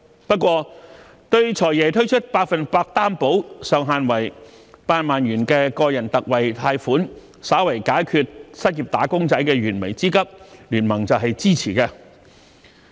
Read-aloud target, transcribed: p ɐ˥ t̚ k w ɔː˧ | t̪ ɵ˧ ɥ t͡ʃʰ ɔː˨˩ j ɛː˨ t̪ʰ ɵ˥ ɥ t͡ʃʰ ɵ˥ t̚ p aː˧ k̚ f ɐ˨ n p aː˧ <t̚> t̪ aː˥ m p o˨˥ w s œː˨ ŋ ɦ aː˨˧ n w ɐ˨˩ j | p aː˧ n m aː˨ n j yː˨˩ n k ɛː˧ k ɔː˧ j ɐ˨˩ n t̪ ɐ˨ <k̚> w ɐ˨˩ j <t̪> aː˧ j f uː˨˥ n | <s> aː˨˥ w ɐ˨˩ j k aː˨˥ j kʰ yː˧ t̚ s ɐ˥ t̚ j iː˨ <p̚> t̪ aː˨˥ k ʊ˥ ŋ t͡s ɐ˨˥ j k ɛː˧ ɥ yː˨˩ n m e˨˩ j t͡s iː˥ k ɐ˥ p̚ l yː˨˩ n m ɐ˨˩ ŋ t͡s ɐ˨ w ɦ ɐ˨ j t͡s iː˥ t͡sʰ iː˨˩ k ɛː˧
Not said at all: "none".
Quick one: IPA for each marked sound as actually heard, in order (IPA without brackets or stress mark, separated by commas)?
k̚, k̚, t̪ʰ, s, p̚